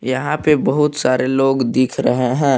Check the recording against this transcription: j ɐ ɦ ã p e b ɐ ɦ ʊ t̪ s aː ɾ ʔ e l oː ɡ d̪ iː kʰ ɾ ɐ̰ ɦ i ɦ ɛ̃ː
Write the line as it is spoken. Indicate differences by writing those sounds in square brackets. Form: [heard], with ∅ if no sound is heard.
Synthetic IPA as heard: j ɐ ɦ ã p e b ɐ ɦ ʊ t̪ s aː ɾ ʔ e l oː ɡ d̪ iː kʰ ɾ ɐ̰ ɦ [e] ɦ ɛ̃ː